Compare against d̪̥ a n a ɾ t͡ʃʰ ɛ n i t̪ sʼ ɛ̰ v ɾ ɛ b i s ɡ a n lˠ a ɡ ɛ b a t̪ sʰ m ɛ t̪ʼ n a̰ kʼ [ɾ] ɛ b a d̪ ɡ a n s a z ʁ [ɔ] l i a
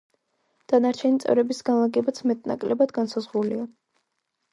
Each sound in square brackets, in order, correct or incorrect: incorrect: l, incorrect: u

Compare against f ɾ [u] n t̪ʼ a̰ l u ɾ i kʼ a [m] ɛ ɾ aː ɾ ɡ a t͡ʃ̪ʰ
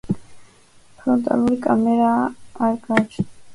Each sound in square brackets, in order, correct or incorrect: incorrect: ɔ, correct

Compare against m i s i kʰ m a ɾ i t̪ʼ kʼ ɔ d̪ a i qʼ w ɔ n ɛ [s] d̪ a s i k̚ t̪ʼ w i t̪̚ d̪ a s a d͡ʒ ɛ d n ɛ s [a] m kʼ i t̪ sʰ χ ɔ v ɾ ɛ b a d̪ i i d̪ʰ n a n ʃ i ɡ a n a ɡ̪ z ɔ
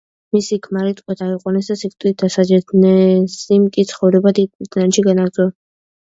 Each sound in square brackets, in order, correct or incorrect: correct, incorrect: i

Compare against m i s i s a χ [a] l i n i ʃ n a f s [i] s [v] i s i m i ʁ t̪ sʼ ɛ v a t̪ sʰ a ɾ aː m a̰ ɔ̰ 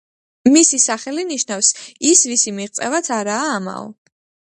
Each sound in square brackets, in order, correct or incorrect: incorrect: ɛ, correct, correct

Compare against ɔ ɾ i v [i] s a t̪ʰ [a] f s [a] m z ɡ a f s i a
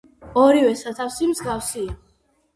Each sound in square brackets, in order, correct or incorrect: incorrect: ɛ, correct, incorrect: i

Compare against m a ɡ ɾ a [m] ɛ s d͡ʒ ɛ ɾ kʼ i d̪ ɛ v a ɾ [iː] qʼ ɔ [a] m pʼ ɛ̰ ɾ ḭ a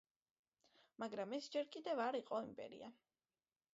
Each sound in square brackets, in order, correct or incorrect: correct, incorrect: i, incorrect: i

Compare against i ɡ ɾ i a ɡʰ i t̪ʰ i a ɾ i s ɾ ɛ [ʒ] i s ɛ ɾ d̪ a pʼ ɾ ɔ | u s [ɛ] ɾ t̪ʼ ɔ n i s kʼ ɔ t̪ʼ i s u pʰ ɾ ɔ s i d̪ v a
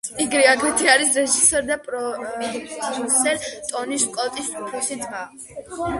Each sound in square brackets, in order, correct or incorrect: correct, correct

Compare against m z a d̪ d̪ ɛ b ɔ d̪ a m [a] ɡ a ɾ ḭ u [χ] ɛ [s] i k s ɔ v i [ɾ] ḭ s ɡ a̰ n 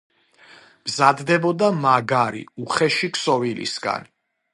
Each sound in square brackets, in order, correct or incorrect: correct, correct, incorrect: ʃ, incorrect: l

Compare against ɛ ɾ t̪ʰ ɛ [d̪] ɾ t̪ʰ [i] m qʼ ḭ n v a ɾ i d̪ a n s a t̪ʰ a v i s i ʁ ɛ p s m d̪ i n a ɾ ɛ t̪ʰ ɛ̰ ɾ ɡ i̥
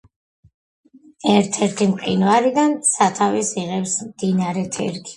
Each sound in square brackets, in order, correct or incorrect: incorrect: none, correct

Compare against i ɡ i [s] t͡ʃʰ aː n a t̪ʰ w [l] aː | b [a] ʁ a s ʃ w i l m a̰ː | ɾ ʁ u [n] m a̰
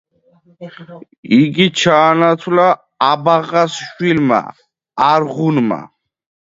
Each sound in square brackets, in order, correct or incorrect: incorrect: none, correct, correct, correct

